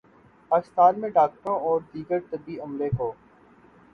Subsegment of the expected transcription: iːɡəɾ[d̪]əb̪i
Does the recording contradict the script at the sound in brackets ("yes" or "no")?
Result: yes